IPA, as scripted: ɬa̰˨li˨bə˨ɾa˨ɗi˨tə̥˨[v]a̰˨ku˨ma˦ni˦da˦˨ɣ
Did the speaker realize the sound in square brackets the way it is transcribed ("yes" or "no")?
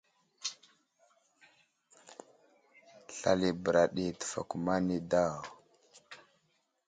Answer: no